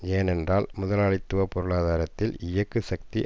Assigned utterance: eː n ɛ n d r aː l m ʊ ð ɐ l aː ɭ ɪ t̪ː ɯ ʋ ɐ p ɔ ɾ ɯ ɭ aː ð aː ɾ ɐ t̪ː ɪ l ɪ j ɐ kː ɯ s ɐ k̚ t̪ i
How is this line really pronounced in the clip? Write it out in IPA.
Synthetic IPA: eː n ɛ n d r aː l m ʊ ð ɐ l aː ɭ ɪ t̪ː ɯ ʋ ɐ p ɔ ɾ ɯ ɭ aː ð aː ɾ ɐ t̪ː ɪ l ɪ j ɐ kː ɯ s ɐ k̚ t̪ i